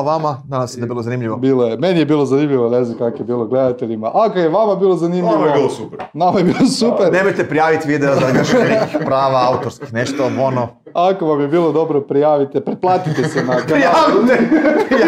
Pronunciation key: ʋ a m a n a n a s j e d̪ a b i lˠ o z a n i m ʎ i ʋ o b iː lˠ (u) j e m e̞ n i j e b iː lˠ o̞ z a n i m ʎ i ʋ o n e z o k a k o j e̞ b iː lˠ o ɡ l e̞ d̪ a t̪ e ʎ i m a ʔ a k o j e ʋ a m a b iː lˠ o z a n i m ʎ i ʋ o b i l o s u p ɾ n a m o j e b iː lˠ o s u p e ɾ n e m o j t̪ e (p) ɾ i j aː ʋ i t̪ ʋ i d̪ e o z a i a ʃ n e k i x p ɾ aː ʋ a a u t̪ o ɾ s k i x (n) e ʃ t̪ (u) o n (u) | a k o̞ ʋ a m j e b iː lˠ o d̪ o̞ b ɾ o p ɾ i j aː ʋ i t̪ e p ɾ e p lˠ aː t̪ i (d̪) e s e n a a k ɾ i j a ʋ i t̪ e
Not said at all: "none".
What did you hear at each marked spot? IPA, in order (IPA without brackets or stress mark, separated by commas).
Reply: o, p, n, o, o, t̪